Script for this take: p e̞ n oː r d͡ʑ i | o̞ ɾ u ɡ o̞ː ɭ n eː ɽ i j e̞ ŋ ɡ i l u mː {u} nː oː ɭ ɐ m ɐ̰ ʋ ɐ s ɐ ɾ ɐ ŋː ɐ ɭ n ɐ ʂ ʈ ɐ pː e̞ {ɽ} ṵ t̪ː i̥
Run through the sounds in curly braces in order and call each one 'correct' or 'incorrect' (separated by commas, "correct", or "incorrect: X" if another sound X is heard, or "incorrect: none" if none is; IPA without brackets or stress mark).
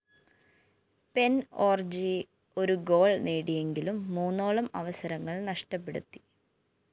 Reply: incorrect: uː, correct